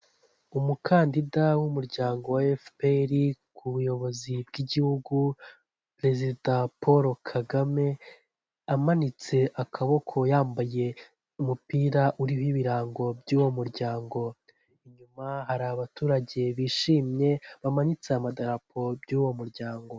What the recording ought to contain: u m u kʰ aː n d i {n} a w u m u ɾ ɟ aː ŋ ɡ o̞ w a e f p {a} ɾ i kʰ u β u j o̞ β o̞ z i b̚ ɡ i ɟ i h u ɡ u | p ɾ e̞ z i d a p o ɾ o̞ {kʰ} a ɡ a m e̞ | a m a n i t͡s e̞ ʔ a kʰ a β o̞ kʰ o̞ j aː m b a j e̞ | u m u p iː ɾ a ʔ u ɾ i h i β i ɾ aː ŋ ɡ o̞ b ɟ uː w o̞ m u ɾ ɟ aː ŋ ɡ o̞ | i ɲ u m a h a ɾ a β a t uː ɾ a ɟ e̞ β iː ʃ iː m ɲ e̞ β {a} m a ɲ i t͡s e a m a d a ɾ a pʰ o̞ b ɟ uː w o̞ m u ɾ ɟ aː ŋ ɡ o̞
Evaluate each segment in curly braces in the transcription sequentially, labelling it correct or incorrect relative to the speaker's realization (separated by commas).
incorrect, incorrect, correct, correct